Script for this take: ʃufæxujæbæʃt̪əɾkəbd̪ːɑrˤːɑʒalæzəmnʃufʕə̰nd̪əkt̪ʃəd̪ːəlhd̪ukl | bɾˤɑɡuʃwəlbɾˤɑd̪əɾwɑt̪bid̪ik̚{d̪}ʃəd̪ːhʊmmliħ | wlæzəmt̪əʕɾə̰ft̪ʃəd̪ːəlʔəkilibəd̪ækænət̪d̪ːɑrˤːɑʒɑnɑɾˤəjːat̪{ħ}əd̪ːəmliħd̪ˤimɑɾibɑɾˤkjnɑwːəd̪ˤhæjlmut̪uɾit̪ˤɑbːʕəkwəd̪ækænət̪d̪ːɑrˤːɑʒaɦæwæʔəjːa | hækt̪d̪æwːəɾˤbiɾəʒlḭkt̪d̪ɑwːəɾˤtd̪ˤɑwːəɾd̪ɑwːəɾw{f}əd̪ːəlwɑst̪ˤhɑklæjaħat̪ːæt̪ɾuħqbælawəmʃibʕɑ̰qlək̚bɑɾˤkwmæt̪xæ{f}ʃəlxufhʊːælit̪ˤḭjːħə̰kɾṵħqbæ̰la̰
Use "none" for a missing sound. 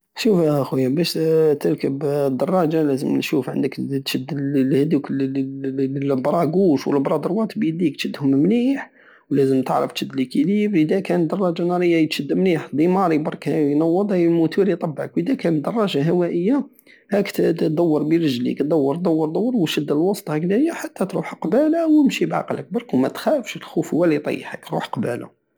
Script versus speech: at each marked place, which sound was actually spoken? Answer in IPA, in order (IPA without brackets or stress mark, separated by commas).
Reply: t̪, ʃ, ʃ, f